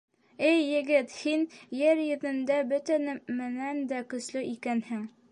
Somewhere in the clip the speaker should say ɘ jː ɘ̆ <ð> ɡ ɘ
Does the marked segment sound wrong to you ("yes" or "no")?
yes